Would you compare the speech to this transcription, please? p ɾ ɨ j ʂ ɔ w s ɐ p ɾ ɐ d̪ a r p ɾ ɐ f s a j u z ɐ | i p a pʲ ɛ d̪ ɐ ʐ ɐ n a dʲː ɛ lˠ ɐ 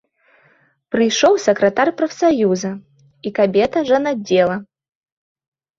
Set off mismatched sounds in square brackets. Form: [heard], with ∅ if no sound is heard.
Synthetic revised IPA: p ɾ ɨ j ʂ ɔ w s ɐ [k] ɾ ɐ [t̪] a r p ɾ ɐ f s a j u z ɐ | i [k] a [bʲ] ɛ [t̪] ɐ ʐ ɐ n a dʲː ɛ lˠ ɐ